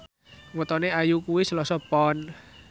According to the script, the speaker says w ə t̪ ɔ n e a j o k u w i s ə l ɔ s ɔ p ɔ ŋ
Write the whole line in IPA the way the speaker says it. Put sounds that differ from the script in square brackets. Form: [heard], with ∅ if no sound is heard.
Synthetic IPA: w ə t̪ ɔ n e a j [u] k u w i s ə l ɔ s ɔ p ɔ [n]